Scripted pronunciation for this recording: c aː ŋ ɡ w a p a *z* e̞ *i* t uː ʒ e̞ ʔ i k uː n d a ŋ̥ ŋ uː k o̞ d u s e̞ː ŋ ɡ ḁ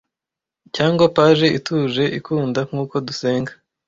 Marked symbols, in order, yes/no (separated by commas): no, yes